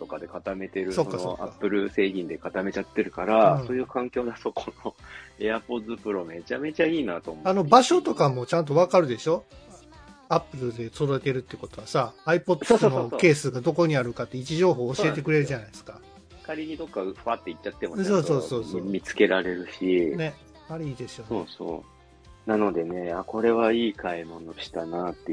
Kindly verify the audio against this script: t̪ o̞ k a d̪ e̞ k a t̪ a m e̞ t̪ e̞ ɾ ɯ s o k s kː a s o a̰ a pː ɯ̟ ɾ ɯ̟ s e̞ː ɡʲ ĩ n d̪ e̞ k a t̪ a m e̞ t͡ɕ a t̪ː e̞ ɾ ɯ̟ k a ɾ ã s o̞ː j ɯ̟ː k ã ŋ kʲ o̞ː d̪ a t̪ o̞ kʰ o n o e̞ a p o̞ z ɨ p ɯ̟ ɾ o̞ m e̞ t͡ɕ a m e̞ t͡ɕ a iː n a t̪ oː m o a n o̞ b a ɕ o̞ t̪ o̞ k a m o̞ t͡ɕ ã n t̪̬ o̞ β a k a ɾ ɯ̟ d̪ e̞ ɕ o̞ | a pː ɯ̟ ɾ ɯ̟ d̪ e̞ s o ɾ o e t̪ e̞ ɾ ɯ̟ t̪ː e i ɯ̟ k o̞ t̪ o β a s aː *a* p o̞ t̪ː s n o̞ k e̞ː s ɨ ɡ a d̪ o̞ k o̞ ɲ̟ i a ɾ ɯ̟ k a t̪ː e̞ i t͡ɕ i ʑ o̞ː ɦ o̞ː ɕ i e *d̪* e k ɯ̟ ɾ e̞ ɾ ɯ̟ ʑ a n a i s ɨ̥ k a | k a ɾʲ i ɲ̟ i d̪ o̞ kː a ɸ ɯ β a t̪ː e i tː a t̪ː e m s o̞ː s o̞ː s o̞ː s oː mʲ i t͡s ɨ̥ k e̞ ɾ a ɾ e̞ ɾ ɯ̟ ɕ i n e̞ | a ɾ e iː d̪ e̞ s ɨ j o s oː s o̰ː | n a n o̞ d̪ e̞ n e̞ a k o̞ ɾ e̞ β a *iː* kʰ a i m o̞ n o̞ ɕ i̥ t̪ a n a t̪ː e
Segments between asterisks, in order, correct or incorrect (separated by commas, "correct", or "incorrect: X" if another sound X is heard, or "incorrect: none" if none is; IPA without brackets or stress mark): incorrect: i, incorrect: t̪, correct